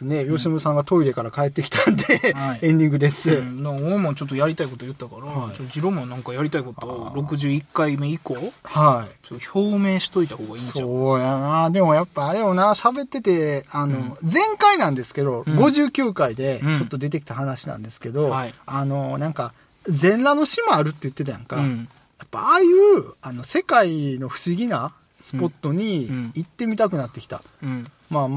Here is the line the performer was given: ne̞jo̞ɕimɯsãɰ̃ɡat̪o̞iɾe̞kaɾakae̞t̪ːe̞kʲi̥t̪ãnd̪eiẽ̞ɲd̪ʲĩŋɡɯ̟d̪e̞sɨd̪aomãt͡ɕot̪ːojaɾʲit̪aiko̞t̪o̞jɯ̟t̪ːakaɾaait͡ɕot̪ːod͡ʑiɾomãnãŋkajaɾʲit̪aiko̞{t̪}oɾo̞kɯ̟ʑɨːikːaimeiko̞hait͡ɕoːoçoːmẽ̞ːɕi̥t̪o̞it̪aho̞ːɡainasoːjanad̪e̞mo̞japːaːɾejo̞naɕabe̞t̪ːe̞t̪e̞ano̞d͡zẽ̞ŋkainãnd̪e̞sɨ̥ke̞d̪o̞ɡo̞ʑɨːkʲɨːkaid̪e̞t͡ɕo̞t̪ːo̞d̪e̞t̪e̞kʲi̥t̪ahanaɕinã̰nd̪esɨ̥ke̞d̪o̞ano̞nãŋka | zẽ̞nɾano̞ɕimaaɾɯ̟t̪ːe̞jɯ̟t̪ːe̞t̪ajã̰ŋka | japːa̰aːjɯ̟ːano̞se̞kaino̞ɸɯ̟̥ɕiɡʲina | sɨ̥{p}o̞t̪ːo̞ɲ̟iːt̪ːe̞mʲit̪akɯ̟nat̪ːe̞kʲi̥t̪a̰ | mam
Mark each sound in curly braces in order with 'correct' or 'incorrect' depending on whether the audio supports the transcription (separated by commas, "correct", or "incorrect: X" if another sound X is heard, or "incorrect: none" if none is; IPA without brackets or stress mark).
correct, correct